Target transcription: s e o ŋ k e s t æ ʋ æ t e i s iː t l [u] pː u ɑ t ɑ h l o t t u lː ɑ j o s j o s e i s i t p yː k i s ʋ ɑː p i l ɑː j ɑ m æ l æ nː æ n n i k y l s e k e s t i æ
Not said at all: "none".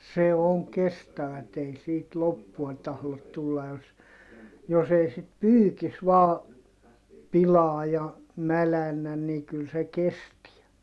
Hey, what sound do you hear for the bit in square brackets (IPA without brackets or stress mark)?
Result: o